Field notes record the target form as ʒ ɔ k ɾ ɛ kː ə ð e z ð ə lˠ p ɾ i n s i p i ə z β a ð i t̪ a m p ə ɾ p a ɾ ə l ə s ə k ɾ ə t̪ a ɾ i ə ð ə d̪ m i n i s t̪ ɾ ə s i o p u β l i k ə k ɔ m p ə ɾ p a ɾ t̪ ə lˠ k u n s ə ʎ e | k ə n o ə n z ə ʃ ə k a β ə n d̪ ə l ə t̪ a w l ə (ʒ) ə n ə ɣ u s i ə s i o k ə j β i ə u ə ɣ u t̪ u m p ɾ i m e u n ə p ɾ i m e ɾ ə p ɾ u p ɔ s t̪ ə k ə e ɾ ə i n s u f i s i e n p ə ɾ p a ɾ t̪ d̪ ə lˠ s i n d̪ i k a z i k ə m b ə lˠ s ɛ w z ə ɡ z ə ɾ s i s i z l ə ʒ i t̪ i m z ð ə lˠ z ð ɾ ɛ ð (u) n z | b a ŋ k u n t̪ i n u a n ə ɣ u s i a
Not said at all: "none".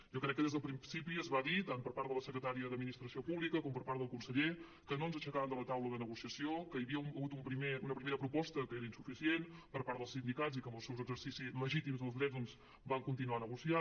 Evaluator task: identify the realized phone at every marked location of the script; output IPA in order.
ð, ɔ

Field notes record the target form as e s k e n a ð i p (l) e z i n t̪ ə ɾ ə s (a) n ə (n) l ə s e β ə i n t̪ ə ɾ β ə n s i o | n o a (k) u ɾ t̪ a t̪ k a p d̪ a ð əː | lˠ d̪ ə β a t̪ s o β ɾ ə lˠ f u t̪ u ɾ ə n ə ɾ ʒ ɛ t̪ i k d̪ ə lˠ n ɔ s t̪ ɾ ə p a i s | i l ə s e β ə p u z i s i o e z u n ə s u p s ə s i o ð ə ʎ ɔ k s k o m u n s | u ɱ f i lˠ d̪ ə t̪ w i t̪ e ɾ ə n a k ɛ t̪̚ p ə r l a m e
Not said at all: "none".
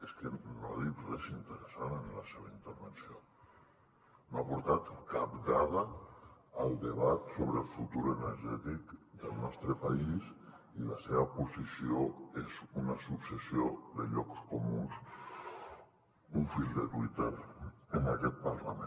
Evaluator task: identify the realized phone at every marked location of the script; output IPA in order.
r, a, n, p

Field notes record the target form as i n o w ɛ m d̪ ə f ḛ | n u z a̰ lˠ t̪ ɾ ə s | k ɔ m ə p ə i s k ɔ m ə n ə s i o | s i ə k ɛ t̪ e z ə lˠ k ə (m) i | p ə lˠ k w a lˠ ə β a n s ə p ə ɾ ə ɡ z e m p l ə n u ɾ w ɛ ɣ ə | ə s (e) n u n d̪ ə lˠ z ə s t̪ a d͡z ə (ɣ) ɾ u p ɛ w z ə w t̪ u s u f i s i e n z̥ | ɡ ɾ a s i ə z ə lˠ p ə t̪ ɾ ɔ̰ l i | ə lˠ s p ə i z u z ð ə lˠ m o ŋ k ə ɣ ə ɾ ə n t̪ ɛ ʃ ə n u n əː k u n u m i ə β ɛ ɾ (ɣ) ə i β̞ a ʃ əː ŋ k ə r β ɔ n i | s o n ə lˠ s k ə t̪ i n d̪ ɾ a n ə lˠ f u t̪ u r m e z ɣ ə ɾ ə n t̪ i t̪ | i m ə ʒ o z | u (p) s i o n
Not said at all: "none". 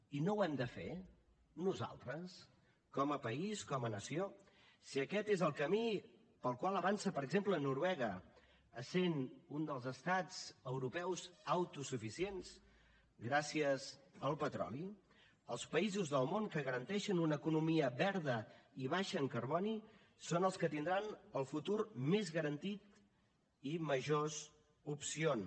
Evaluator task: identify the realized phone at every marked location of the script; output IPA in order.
m, e, w, ð, p

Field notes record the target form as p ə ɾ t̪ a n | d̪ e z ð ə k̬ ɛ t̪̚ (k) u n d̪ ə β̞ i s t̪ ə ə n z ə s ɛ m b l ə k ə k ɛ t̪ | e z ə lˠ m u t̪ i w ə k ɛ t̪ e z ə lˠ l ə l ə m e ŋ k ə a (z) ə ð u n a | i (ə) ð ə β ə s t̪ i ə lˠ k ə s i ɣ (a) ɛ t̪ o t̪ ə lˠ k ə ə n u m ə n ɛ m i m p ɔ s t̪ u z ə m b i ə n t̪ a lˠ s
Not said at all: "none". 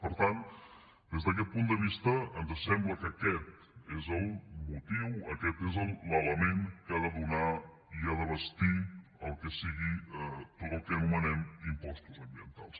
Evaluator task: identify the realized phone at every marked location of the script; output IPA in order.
p, ð, a, i

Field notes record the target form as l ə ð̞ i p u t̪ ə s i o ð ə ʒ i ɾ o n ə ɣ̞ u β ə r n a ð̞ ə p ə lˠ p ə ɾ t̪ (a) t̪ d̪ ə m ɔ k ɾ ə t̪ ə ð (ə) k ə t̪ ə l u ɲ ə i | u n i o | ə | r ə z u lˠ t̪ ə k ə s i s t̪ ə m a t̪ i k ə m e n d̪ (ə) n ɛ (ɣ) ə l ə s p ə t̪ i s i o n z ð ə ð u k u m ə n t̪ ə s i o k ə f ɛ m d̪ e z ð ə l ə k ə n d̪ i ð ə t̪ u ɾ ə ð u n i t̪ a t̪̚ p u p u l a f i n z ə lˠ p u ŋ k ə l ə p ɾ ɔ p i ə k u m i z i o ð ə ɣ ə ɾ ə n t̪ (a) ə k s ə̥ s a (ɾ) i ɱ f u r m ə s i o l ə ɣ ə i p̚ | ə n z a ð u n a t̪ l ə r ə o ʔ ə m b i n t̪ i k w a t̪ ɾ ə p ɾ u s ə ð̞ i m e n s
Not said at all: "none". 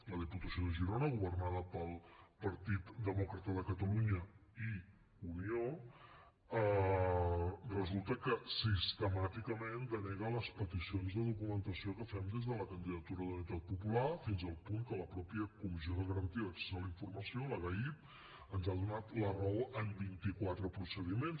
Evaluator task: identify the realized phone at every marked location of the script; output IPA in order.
i, ə, ə, ɣ, i, l

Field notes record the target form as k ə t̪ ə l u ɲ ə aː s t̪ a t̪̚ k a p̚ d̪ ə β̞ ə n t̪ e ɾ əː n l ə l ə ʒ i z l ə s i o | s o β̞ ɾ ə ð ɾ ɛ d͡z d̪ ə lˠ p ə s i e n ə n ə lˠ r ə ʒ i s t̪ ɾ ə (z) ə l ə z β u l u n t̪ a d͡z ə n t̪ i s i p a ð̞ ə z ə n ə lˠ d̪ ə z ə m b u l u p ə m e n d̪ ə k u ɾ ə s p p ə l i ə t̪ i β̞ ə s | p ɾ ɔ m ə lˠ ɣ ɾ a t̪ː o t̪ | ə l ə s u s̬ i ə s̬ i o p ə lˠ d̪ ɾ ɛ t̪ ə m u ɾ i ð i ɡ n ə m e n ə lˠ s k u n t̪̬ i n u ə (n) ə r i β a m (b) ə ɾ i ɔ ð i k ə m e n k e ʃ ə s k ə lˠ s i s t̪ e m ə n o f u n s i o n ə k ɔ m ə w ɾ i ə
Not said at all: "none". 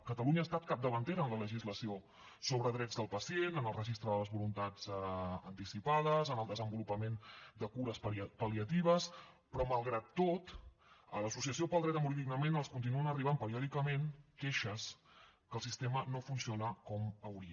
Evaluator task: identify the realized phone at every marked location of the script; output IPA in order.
ð, n, p

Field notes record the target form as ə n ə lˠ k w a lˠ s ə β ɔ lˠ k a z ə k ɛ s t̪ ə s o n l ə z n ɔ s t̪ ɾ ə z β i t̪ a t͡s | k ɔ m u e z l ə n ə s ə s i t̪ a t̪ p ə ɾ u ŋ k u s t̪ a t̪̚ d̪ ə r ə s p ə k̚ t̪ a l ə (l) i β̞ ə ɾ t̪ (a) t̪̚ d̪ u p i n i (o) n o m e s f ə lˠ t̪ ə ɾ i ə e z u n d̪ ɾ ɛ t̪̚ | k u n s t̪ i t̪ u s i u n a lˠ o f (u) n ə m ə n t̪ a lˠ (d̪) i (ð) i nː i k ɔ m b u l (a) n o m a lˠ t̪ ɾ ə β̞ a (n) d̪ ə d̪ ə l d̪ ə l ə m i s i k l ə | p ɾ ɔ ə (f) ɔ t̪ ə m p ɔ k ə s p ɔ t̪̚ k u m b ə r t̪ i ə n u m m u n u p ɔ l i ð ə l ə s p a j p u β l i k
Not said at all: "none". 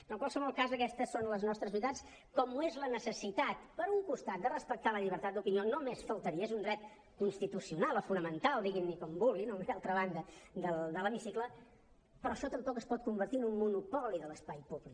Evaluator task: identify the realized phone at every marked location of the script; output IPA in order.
ʎ, a, o, u, d̪, ɣ, i, n, ʃ

